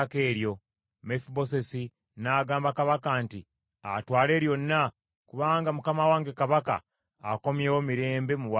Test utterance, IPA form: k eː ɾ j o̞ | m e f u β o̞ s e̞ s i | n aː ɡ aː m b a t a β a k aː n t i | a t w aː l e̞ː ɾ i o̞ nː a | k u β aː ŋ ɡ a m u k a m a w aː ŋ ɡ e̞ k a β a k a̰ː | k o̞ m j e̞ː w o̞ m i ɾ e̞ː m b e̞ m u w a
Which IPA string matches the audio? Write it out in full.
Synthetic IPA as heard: k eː ɾ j o̞ | m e f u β o̞ s e̞ s i | n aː ɡ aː m b a k a β a k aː n t i | a t w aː l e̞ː ɾ j o̞ nː a | k u β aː ŋ ɡ a m u k a m a w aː ŋ ɡ e̞ k a β a k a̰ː | k o̞ m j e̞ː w o̞ m i ɾ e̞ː m b e̞ m u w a